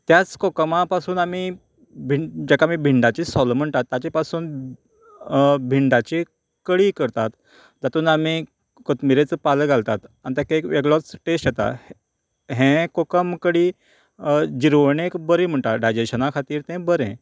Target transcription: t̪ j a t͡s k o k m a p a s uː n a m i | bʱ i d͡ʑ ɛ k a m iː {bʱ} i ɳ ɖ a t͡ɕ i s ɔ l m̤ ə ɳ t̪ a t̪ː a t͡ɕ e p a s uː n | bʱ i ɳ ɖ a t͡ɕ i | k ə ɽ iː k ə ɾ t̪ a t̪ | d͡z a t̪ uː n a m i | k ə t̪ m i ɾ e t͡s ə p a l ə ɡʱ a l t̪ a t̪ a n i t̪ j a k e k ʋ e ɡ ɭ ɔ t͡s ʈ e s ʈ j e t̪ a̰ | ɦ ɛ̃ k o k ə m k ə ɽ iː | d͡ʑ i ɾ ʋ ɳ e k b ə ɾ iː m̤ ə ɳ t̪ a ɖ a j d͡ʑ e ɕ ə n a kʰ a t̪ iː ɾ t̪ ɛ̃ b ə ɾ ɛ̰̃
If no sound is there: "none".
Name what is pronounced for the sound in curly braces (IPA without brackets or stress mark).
bʱ